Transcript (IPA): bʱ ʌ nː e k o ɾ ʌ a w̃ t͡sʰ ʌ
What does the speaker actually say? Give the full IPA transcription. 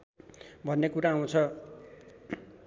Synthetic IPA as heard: bʱ ʌ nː e k u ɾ a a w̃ t͡sʰ ʌ